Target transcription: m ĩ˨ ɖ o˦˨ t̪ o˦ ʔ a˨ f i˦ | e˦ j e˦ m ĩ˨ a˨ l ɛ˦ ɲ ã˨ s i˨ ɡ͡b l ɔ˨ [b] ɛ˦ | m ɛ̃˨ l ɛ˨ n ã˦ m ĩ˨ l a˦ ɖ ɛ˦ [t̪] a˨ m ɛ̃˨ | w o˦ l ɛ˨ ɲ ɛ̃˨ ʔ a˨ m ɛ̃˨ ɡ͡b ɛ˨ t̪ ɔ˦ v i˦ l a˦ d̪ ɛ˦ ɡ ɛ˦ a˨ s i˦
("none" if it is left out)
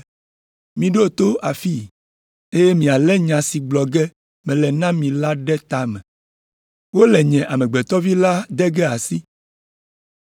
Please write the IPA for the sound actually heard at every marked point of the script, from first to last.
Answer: ɡ, t̪

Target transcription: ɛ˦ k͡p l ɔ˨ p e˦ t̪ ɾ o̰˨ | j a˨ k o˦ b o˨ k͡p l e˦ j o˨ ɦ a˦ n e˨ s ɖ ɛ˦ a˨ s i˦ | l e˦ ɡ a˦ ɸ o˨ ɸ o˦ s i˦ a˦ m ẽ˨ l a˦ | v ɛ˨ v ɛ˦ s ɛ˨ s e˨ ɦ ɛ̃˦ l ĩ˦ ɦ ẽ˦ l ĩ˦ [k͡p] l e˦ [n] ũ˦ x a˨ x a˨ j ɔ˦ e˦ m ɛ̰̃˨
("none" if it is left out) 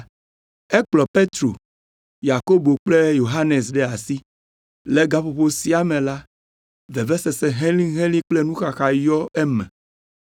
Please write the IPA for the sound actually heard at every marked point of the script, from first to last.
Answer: k͡p, n

